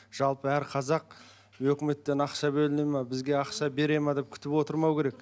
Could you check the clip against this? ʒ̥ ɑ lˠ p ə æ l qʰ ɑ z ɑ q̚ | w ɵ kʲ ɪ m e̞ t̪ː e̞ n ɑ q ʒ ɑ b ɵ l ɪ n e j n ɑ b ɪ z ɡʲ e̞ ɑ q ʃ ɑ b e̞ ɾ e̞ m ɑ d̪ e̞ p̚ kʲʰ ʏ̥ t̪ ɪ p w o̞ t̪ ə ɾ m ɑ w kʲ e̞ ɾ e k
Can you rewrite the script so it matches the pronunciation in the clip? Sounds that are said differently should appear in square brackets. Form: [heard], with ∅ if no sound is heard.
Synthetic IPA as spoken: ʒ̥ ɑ lˠ p ə æ [ɾ] qʰ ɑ z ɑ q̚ | w ɵ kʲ ɪ m e̞ t̪ː e̞ n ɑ q [ʃ] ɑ b ɵ l ɪ n e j [m] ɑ b ɪ z ɡʲ e̞ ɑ q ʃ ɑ b e̞ ɾ e̞ m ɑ d̪ e̞ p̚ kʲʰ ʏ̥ t̪ ɪ p w o̞ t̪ ə ɾ m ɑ w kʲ e̞ ɾ e k